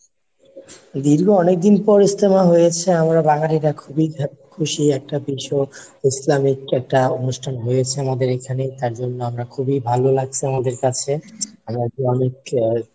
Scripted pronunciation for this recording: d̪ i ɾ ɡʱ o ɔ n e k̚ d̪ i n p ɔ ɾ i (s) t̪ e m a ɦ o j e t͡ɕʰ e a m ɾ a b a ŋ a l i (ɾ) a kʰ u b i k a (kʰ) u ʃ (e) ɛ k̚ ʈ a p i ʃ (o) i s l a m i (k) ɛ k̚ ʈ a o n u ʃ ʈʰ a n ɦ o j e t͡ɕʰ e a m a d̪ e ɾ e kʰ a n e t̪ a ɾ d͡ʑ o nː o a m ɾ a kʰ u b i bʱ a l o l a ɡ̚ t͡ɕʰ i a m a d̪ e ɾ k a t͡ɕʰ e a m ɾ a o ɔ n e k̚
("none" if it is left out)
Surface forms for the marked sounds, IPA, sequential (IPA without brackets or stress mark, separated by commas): s, ɾ, kʰ, i, o, k